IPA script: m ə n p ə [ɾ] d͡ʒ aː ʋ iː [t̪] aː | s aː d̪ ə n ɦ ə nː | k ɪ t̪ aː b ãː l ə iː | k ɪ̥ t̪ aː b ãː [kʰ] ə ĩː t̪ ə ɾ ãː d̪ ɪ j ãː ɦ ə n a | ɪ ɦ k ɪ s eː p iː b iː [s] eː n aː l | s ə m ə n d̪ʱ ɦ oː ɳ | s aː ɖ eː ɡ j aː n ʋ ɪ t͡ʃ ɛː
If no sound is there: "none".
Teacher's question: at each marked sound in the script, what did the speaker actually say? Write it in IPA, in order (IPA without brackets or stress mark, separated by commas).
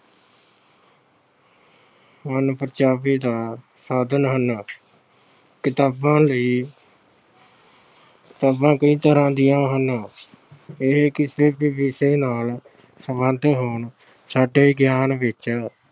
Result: ɾ, d̪, k, s